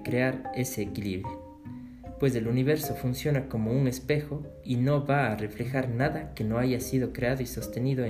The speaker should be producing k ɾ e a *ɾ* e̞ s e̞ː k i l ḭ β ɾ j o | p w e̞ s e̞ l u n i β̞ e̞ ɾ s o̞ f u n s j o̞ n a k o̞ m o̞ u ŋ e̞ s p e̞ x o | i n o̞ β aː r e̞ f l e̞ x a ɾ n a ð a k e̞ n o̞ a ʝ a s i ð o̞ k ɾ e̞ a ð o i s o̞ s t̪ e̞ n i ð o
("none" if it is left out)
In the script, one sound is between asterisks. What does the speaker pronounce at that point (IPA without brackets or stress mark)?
ɾ